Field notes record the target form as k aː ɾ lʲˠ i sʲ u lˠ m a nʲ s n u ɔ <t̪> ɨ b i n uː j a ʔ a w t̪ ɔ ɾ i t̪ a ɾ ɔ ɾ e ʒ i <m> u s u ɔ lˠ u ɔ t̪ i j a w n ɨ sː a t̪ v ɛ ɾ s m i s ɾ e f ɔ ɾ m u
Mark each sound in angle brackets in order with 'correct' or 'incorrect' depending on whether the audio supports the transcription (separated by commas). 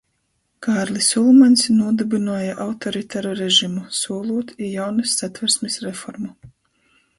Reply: incorrect, correct